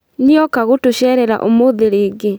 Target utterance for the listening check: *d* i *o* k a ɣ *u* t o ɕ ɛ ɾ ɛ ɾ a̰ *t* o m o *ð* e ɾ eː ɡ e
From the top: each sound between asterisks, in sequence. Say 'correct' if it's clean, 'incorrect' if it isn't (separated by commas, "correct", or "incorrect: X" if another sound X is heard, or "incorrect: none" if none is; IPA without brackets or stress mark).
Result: incorrect: n, incorrect: ɔ, incorrect: o, incorrect: ʔ, correct